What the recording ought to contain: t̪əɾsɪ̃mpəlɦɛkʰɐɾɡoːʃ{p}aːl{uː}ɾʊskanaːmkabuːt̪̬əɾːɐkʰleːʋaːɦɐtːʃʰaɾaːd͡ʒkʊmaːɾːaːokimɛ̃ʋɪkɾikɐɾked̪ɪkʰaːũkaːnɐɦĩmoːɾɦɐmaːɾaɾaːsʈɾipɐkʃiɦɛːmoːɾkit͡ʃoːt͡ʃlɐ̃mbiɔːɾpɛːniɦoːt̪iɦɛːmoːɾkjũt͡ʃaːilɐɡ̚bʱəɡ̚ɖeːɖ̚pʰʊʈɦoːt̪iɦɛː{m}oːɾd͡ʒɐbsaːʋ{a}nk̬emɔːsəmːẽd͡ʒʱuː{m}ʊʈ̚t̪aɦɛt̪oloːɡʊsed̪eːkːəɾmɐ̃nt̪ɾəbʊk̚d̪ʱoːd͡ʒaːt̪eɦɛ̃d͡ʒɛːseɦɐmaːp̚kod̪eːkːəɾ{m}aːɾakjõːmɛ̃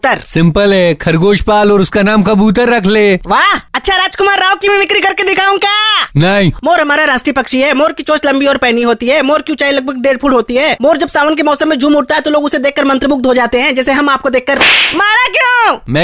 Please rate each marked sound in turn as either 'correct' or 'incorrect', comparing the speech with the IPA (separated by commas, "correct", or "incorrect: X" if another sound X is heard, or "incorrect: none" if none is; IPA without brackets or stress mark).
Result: correct, incorrect: ɔː, correct, incorrect: ə, correct, correct